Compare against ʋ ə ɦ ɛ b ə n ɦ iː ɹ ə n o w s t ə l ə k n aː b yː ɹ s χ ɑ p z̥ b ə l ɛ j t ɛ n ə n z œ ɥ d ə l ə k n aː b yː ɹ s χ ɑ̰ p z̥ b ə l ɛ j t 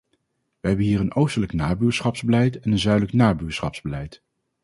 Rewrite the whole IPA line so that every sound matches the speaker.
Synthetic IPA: ʋ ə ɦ ɛ b ə n ɦ iː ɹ ə n o w s t ə l ə k n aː b yː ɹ s χ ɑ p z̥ b ə l ɛ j t ɛ n ə n z œ ɥ d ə l ə k n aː b yː ɹ s χ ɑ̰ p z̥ b ə l ɛ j t